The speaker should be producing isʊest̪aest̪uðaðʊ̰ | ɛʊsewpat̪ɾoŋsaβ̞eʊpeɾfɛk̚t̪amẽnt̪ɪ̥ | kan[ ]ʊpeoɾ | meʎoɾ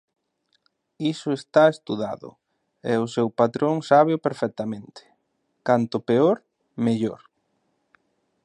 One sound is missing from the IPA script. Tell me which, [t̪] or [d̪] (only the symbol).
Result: t̪